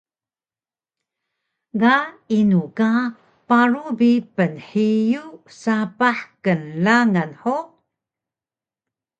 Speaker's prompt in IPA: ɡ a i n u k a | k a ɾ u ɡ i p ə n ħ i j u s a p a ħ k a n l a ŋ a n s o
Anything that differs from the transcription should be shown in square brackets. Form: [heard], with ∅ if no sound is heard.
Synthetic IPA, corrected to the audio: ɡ a i n u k a | [p] a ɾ u [b] i p ə n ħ i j u s a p a ħ k [ə] n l a ŋ a n [ħ] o